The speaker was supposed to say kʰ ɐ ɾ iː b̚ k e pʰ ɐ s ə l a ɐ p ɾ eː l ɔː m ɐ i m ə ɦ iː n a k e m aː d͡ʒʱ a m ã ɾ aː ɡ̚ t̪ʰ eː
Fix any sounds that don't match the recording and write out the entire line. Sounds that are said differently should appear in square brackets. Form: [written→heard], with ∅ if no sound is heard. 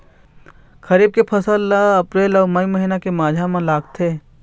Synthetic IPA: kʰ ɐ ɾ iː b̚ k e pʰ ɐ s ə l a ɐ p ɾ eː l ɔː m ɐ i m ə ɦ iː n a k e m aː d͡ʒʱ a m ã [ɾ→l] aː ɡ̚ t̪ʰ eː